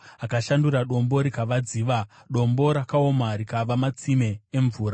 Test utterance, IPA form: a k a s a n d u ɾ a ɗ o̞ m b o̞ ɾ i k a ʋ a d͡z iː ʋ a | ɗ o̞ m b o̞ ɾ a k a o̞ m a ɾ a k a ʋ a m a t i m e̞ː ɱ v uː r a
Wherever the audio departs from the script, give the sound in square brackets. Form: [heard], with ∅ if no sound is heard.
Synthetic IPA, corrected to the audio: a k a [ʃ] a n d u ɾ a ɗ o̞ m b o̞ ɾ i k a ʋ a d͡z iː ʋ a | ɗ o̞ m b o̞ ɾ a k a o̞ m a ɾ [i] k a ʋ a m a [t͡s] i m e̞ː ɱ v uː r a

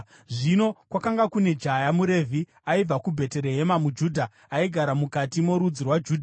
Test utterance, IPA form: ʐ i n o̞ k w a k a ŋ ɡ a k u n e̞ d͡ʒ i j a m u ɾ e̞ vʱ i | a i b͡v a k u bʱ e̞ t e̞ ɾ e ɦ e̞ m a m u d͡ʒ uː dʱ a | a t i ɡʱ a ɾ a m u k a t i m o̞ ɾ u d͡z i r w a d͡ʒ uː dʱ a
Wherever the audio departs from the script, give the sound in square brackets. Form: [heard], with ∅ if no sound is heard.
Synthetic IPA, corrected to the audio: ʐ i n o̞ k w a k a ŋ ɡ a k u n e̞ d͡ʒ [a] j a m u ɾ e̞ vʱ i | a i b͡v a k u bʱ e̞ t e̞ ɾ e ɦ e̞ m a m u d͡ʒ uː dʱ a | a [∅] i ɡʱ a ɾ a m u k a t i m o̞ ɾ u d͡z i r w a d͡ʒ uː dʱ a

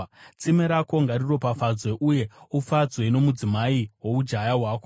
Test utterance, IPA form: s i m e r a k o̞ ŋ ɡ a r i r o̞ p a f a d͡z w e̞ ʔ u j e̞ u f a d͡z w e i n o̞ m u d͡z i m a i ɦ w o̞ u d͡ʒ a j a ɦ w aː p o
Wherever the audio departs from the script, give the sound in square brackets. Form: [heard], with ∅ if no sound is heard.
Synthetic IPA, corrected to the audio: [t͡s] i m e [ɾ] a k o̞ ŋ ɡ a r i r o̞ p a f a d͡z w e̞ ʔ u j e̞ u f a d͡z w e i n o̞ m u d͡z i m a i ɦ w o̞ u d͡ʒ a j a ɦ w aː [k] o

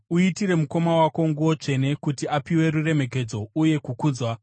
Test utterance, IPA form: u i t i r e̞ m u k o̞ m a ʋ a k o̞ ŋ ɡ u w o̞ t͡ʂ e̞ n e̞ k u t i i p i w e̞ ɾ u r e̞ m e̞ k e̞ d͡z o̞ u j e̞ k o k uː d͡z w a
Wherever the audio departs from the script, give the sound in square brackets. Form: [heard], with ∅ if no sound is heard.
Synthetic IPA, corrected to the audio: u i t i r e̞ m u k o̞ m a [w] a k o̞ ŋ ɡ u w o̞ t͡ʂ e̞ n e̞ k u t i [a] p i w e̞ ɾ u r e̞ m e̞ k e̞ d͡z o̞ u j e̞ k [u] k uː d͡z w a

